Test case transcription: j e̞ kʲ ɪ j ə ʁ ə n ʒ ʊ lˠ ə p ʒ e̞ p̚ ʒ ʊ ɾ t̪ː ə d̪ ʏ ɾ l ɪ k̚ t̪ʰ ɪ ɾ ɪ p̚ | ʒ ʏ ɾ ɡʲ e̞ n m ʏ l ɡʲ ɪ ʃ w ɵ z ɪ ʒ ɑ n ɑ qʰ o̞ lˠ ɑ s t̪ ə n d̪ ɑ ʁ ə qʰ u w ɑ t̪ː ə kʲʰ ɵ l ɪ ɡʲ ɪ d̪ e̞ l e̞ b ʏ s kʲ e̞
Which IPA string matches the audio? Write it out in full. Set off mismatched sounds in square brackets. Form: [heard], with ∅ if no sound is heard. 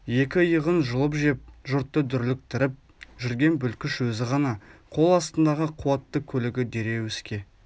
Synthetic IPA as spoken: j e̞ kʲ ɪ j ə ʁ ə n ʒ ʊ lˠ ə p ʒ e̞ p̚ ʒ ʊ ɾ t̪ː ə d̪ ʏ ɾ l ɪ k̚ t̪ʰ ɪ ɾ ɪ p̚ | ʒ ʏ ɾ ɡʲ e̞ n [b] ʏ l [kʲ] ɪ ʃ w ɵ z ɪ [ʁ] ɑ n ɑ qʰ o̞ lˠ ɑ s t̪ ə n d̪ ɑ ʁ ə qʰ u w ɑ t̪ː ə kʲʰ ɵ l ɪ ɡʲ ɪ d̪ e̞ [ɾ] e̞ [w] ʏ s kʲ e̞